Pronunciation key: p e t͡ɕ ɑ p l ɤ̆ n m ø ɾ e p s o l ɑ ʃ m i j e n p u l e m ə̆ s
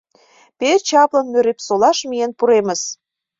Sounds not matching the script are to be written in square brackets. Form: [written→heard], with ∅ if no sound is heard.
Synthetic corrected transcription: p e t͡ɕ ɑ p l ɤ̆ n m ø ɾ e p s o l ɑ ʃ m i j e n p u [l→ɾ] e m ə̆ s